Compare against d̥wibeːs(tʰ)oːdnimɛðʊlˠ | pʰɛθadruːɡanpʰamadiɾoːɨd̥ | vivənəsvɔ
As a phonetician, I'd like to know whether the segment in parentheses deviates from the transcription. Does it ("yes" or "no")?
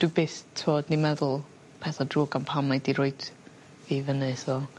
no